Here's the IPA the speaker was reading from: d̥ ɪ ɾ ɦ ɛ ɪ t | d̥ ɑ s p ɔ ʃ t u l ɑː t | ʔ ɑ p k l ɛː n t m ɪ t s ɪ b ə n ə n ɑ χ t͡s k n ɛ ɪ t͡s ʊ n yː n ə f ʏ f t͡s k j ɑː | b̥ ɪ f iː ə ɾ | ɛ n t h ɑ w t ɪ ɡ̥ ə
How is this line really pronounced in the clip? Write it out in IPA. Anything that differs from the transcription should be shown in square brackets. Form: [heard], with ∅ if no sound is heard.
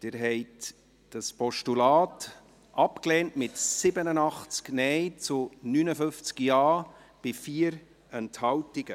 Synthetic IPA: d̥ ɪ ɾ ɦ ɛ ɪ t | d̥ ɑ s p ɔ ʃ t u l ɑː t | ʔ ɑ p k l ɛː n t m ɪ t s ɪ b ə n ə n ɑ χ t͡s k n ɛ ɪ t͡s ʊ n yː n ə f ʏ f t͡s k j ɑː | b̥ ɪ f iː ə ɾ | ɛ n t h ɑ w t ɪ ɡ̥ ə